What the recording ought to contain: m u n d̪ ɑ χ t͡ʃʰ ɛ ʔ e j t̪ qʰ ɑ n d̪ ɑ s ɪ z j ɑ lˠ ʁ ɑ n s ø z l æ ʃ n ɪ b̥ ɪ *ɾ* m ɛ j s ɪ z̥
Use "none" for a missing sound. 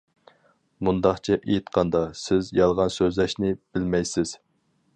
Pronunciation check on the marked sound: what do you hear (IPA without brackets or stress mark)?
l